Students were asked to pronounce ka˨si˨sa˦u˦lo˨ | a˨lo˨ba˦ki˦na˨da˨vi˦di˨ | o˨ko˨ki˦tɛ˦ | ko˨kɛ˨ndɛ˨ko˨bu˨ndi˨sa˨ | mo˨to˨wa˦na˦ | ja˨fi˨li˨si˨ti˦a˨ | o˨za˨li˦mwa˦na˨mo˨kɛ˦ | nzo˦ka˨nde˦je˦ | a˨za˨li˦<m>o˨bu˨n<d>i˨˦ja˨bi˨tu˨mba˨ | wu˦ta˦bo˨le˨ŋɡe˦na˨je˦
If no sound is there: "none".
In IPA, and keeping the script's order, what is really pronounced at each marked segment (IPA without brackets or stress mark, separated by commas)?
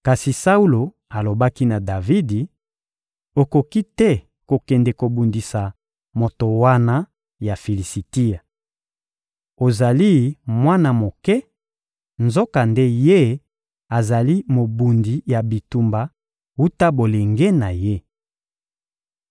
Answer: m, d